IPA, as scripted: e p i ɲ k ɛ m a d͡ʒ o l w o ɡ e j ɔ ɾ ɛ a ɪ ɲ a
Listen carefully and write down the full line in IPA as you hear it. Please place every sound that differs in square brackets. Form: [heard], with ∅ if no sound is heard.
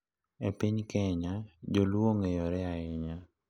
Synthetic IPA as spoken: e p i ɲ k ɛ [ɲ] a d͡ʒ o l w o [ŋ] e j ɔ ɾ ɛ a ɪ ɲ a